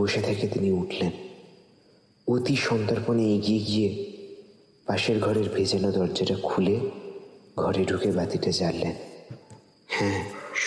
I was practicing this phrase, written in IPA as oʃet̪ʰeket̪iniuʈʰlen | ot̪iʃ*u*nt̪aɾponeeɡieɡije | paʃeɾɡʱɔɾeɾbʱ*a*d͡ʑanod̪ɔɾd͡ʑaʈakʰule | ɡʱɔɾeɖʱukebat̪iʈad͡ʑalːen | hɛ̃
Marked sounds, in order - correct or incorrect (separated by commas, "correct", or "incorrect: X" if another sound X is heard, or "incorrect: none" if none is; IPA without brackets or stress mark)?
incorrect: ɔ, incorrect: e